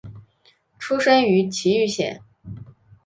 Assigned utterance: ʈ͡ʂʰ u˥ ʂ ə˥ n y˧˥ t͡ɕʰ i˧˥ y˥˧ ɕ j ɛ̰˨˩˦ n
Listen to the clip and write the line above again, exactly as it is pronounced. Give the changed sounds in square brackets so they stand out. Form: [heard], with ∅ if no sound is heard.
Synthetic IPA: ʈ͡ʂʰ u˥ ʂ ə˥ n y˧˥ t͡ɕʰ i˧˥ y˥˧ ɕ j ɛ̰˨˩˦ n